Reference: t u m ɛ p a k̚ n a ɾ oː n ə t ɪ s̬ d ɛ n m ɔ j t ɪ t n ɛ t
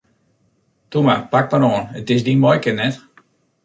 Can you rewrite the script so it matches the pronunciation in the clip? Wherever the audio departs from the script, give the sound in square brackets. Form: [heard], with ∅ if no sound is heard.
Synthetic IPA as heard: t u m [a] p a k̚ [m] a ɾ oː n ə t ɪ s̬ d [i] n m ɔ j [k] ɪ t n ɛ t

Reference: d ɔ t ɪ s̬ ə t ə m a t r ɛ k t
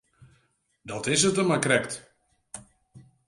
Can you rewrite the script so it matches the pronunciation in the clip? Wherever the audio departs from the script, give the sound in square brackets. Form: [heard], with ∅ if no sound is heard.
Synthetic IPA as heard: d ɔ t ɪ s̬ ə t ə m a [k] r ɛ k t

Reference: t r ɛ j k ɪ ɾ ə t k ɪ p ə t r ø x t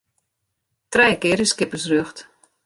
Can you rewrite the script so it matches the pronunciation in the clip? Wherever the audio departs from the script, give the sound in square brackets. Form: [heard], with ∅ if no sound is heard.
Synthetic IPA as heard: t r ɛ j k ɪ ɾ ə [s] k ɪ p ə [s] r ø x t

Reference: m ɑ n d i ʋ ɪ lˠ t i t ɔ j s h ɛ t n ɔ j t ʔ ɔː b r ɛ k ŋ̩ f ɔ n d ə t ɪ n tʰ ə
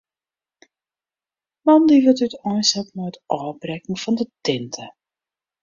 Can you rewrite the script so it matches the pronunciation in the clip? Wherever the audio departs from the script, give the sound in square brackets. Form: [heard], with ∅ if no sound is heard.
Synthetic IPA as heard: m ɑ n d i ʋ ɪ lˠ t [y] t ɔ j s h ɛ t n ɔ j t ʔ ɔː b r ɛ k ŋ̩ f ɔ n d ə t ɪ n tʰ ə

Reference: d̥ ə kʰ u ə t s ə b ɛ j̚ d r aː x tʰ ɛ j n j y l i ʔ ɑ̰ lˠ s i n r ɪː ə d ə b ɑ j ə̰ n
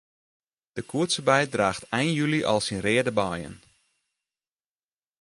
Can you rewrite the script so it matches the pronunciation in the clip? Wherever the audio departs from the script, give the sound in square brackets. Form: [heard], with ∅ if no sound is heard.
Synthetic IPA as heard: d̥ ə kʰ u ə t s ə b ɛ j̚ d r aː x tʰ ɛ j n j y l i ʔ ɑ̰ lˠ s i n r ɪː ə d ə b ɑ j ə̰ n

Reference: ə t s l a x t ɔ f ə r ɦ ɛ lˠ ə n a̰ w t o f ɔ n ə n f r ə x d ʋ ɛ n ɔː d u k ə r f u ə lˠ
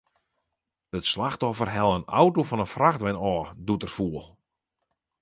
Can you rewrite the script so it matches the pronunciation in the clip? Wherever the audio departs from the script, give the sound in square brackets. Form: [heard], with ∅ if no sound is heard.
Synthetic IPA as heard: ə t s l a x t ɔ f ə r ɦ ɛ lˠ ə n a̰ w t o f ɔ n ə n f r [a] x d ʋ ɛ n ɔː d u [t] ə r f u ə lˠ

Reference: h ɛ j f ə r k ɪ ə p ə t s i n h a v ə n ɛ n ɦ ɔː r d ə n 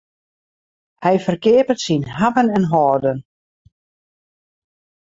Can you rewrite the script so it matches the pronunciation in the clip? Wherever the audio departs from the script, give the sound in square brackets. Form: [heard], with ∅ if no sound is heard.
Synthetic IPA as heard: h ɛ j f ə r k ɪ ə p ə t s i n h a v ə n ɛ n ɦ ɔː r d ə n

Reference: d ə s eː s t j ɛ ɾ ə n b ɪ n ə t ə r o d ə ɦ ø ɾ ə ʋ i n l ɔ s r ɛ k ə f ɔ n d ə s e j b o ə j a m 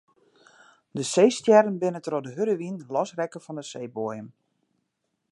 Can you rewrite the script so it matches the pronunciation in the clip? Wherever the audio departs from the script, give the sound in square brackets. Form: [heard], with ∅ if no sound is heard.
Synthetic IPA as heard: d ə s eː s t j ɛ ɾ ə n b ɪ n ə t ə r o d ə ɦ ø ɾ ə ʋ i n l ɔ s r ɛ k ə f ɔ n d ə s e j b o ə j [ə] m

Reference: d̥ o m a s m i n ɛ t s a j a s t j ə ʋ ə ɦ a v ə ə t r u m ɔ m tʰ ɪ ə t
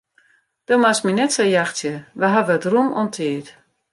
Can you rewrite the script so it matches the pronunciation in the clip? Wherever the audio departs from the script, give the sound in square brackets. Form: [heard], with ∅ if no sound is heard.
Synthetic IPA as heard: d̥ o m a s m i n ɛ t s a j a [x] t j ə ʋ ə ɦ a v ə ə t r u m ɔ [n] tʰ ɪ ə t

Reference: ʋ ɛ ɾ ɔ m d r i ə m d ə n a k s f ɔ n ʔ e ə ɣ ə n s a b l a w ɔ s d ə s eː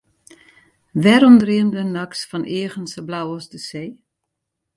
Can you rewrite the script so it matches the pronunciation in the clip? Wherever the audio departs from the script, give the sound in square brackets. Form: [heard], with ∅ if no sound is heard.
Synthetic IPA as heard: ʋ ɛ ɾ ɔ m d r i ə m d ə n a k s f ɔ n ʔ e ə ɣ ə n s [ə] b l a w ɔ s d ə s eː

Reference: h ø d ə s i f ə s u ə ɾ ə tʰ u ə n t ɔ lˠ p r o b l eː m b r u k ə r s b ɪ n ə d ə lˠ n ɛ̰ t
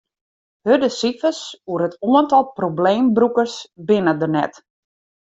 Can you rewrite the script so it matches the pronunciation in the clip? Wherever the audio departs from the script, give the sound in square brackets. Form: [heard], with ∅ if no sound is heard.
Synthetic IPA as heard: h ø d ə s i f ə s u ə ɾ ə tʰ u ə n t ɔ lˠ p r o b l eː m b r u k ə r s b ɪ n ə d ə [∅] n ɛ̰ t

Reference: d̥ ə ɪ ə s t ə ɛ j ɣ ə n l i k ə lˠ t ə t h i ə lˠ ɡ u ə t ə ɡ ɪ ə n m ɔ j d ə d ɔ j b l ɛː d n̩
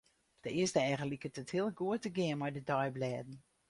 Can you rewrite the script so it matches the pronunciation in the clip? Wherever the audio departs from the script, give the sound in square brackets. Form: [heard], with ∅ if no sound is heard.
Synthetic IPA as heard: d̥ ə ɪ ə s t ə ɛ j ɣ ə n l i k ə [∅] t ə t h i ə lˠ ɡ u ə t ə ɡ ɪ ə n m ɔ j d ə d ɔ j b l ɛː d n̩

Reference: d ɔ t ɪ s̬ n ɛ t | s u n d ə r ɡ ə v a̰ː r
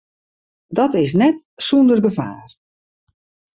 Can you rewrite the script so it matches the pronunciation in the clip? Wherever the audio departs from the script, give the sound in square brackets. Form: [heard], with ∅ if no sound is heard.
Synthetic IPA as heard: d ɔ t ɪ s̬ n ɛ t | s u n d ə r ɡ ə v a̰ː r

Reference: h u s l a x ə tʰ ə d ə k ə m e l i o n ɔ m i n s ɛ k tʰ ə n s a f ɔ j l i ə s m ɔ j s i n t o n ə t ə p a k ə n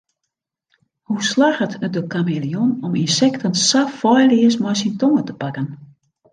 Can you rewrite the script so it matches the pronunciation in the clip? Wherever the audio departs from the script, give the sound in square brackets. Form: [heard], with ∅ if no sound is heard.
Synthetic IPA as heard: h u s l a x ə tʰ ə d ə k [a] m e l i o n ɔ m i n s ɛ k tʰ ə n s a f ɔ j l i ə s m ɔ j s i n t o [ŋ] ə t ə p a k ə n

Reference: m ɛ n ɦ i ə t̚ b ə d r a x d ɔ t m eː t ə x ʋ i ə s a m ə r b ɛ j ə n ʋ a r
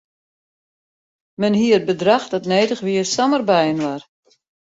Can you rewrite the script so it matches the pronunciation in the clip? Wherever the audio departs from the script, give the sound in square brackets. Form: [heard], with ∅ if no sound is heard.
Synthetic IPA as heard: m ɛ n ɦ i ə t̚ b ə d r a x d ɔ t [n] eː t ə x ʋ i ə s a m ə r b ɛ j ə n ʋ a r

